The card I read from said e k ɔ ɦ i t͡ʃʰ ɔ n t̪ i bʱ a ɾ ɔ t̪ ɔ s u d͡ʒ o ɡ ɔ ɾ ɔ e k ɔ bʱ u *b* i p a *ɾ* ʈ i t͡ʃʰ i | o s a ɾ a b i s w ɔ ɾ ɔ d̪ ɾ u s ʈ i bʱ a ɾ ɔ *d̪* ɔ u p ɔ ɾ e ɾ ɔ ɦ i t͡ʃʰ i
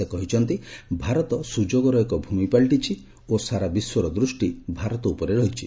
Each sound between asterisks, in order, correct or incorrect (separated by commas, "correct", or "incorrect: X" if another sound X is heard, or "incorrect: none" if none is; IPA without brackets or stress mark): incorrect: m, incorrect: ɭ, incorrect: t̪